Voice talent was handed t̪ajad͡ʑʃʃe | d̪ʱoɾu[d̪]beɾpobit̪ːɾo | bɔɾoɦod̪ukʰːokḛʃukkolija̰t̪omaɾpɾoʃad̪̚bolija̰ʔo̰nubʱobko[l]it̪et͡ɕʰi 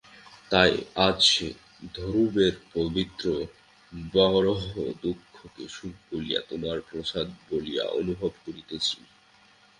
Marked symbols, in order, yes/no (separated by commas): no, no